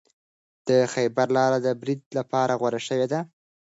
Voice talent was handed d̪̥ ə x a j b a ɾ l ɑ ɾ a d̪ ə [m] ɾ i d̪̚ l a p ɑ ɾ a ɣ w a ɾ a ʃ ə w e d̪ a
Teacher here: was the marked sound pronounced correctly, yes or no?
no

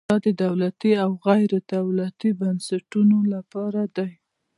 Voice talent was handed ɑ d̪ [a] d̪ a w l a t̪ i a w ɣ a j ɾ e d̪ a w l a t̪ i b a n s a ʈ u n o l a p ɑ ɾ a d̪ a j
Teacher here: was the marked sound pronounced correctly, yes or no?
no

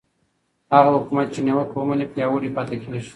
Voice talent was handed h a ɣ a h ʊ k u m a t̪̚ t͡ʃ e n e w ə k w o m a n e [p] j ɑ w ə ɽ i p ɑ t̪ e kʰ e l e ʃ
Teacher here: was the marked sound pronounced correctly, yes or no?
yes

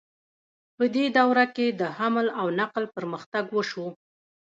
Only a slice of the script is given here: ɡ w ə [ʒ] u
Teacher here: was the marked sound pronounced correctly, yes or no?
no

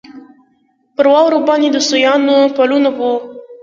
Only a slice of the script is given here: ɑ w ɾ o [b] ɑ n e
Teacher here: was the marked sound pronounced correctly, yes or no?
yes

